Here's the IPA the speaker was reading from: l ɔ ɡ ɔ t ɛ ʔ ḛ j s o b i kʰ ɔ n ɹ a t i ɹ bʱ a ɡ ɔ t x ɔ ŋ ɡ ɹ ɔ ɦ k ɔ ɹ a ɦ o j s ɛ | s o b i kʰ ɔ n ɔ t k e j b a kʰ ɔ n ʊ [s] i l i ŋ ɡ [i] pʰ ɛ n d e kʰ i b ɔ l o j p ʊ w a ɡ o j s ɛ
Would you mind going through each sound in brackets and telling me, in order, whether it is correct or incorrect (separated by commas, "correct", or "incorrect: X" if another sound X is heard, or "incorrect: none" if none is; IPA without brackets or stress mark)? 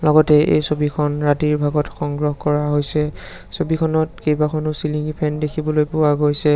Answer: correct, correct